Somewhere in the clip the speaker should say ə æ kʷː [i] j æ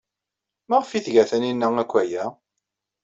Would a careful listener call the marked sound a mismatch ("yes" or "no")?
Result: yes